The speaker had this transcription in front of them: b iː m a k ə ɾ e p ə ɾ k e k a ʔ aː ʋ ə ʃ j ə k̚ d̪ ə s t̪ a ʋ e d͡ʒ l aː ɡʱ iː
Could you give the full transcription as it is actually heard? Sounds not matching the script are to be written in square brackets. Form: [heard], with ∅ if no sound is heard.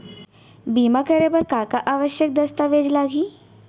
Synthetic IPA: b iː m a k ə ɾ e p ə ɾ k [a] k a ʔ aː ʋ ə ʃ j ə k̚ d̪ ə s t̪ a ʋ e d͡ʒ l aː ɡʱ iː